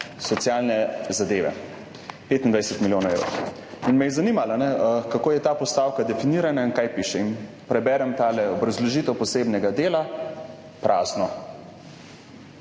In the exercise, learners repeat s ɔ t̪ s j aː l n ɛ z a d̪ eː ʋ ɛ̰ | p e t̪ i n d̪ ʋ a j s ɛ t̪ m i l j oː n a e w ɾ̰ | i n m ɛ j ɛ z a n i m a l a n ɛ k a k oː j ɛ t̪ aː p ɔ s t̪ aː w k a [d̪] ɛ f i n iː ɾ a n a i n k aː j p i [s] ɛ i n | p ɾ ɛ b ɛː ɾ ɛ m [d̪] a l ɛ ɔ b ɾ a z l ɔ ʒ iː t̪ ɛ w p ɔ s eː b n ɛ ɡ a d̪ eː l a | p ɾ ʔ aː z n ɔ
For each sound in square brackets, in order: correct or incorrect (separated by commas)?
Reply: correct, incorrect, incorrect